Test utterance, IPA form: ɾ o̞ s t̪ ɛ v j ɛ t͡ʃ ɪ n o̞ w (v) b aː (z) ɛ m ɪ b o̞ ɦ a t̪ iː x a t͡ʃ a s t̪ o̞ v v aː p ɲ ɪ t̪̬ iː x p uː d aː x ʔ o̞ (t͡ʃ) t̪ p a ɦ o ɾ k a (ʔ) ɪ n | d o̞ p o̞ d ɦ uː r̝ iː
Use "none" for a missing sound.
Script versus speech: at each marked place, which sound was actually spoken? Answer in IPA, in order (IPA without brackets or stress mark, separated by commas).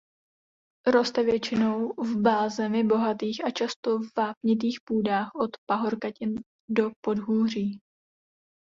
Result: v, z, none, c